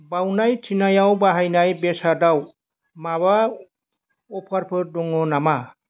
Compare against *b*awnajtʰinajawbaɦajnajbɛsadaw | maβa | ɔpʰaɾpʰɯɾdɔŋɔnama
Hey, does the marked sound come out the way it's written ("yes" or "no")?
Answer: yes